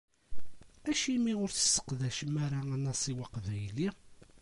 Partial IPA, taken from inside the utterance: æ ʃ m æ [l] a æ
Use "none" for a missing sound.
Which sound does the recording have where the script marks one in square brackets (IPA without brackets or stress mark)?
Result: ɾ